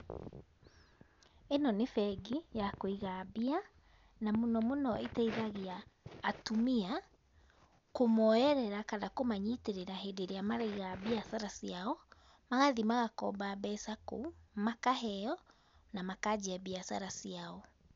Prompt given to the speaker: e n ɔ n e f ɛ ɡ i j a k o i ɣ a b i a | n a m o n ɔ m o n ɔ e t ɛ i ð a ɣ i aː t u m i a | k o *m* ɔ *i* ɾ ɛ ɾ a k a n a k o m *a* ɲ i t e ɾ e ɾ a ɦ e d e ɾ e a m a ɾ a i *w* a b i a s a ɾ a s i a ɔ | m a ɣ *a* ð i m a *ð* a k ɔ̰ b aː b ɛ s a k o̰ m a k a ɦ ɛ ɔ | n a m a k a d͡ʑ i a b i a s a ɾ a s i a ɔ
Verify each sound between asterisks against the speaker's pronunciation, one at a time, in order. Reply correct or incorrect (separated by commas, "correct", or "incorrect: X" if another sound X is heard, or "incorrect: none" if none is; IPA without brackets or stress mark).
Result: correct, incorrect: ɛ, correct, incorrect: ɣ, correct, incorrect: ɣ